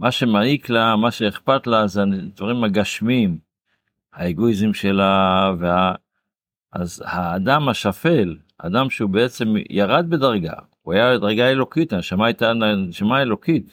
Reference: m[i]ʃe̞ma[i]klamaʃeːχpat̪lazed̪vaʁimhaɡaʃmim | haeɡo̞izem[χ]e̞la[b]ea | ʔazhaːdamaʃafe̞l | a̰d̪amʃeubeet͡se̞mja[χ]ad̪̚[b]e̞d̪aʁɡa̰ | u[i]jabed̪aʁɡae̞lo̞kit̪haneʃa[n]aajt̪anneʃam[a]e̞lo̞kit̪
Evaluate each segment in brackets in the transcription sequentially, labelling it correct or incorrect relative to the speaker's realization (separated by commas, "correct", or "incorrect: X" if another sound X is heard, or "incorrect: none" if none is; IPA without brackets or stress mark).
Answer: incorrect: a, correct, incorrect: ʃ, incorrect: v, incorrect: ʁ, correct, incorrect: a, incorrect: m, correct